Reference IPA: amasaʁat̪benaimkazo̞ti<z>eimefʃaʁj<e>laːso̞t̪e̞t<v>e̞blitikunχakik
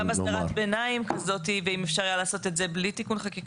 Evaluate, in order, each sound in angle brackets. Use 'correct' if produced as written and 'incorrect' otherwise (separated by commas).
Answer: incorrect, incorrect, incorrect